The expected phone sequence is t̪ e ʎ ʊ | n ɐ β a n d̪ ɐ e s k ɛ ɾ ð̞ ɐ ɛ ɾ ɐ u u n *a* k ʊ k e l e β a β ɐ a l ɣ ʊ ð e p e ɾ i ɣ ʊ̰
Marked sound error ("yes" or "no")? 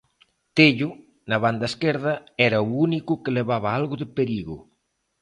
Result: yes